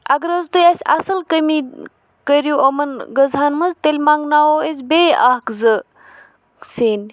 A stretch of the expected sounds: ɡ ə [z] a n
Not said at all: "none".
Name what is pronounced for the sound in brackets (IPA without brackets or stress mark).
z